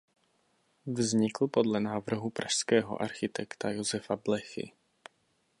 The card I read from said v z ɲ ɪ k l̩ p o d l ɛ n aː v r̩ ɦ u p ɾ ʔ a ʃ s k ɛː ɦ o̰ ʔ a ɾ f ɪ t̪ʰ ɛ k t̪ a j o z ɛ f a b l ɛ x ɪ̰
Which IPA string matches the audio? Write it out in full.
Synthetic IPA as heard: v z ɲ ɪ k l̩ p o d l ɛ n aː v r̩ ɦ u p ɾ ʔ a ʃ s k ɛː ɦ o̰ ʔ a ɾ x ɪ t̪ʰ ɛ k t̪ a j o z ɛ f a b l ɛ x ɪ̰